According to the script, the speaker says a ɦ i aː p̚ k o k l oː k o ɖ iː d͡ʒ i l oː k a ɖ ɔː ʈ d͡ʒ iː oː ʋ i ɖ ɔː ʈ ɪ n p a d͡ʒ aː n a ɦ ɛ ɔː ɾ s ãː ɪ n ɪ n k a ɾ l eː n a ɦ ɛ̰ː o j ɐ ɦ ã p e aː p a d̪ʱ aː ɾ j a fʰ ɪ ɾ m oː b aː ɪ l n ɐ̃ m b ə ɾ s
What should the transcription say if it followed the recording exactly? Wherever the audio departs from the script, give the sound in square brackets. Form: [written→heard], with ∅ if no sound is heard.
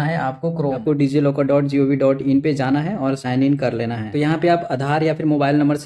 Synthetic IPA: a ɦ [i→ɛ] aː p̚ k o k [l→ɾ] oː k o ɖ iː d͡ʒ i l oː k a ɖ ɔː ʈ d͡ʒ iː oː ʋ i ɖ ɔː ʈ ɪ n p [a→e] d͡ʒ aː n a ɦ ɛ ɔː ɾ s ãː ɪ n ɪ n k [a→ɐ] ɾ l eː n a ɦ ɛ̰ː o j ɐ ɦ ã p e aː p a d̪ʱ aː ɾ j a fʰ ɪ ɾ m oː b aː ɪ l n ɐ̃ m b ə ɾ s